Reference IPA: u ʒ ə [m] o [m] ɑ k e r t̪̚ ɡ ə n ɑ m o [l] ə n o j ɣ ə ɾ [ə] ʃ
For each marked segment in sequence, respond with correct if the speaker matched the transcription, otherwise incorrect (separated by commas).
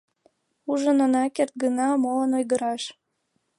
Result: incorrect, incorrect, correct, incorrect